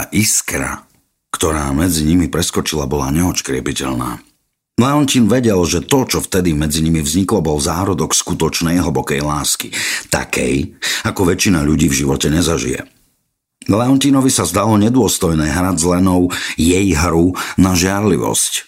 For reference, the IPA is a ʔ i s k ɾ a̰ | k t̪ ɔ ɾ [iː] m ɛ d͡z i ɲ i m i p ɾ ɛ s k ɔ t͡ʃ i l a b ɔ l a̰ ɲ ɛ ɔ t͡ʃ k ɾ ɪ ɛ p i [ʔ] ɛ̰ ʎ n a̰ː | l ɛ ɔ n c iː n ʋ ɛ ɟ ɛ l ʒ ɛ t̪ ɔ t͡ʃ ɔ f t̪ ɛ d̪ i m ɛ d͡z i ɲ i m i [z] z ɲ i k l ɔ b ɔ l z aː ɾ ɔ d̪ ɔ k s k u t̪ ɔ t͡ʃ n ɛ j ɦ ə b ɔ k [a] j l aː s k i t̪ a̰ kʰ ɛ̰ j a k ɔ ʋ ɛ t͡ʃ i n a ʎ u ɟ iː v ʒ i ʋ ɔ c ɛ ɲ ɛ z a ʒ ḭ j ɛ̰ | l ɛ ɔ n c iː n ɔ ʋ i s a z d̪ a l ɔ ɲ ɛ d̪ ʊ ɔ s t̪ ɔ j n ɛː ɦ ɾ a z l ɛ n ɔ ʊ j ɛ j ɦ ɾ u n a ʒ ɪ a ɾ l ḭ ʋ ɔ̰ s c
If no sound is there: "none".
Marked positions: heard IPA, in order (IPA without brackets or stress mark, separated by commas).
aː, c, v, ɛ